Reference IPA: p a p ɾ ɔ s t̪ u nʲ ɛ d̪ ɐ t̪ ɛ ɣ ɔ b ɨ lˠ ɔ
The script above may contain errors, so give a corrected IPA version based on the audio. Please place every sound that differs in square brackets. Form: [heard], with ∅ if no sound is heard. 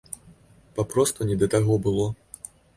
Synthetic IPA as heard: p a p ɾ ɔ s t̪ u nʲ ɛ d̪ ɐ t̪ [a] ɣ ɔ b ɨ lˠ ɔ